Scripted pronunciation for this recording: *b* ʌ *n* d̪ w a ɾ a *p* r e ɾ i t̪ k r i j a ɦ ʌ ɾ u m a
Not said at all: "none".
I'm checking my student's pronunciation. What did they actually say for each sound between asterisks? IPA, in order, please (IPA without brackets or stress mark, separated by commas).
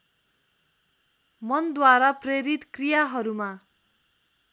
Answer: m, n, p